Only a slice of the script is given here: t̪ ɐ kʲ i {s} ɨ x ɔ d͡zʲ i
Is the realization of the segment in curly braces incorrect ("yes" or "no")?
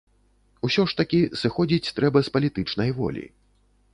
no